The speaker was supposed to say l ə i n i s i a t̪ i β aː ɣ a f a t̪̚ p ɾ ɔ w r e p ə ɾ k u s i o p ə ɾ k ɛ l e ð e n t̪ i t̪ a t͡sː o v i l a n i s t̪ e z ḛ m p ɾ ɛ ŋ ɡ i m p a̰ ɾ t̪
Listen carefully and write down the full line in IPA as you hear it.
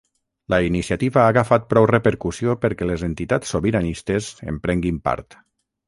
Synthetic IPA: l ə i n i s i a t̪ i β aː ɣ a f a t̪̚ p ɾ ɔ w r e p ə ɾ k u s i o p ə ɾ k ɛ l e z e n t̪ i t̪ a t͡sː o β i ɾ a n i s t̪ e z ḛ m p ɾ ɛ ŋ ɡ i m p a̰ ɾ t̪